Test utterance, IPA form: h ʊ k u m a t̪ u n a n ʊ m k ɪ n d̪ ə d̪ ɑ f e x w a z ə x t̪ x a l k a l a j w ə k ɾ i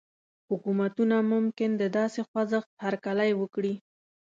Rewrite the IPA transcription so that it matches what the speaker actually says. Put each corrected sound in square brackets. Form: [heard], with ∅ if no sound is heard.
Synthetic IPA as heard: h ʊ k u m a t̪ u n a [m] ʊ m k ɪ n d̪ ə d̪ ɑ [s] e x w a z ə x t̪ [h] a [ɾ] k a l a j w ə k [ɽ] i